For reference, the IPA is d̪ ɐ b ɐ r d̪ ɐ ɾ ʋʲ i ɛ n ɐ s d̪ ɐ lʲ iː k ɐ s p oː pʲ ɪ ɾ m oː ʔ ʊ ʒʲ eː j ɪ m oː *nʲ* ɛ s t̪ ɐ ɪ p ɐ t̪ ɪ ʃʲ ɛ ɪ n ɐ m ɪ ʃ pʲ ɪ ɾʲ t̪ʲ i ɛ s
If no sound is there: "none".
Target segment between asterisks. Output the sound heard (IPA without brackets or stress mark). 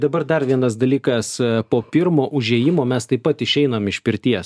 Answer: mʲ